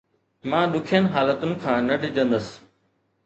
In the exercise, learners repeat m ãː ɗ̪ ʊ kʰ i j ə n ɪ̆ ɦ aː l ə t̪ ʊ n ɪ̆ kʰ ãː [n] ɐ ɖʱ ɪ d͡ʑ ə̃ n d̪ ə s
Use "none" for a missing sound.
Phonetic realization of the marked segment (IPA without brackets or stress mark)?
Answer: n